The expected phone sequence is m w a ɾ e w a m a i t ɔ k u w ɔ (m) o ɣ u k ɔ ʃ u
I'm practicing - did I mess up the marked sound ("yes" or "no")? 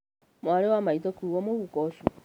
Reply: no